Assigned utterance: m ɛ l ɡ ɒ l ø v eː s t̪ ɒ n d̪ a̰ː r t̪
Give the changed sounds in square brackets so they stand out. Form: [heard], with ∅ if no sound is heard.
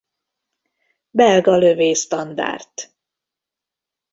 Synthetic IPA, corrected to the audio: [b] ɛ l ɡ ɒ l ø v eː s t̪ ɒ n d̪ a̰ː r t̪